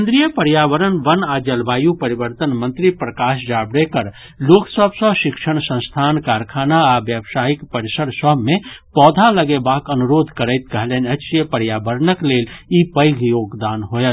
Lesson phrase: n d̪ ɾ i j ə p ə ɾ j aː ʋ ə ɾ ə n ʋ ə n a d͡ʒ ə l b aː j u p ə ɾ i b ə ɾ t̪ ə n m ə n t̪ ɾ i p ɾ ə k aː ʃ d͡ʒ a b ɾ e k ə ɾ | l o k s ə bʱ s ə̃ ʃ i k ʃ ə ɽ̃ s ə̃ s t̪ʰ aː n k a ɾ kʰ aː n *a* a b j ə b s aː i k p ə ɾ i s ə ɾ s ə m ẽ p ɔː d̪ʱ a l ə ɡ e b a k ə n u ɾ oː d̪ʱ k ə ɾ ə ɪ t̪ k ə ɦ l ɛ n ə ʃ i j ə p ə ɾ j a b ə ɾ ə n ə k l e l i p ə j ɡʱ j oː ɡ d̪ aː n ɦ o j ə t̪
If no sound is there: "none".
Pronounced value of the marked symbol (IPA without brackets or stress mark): a